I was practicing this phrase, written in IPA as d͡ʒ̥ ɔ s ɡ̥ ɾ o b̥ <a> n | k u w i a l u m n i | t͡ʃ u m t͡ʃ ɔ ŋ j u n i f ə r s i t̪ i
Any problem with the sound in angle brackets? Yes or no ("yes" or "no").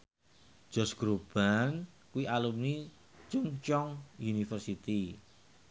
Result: no